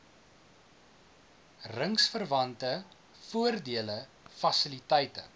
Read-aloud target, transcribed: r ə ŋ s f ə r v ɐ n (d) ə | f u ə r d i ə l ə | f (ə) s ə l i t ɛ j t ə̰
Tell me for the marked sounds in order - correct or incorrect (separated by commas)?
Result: incorrect, incorrect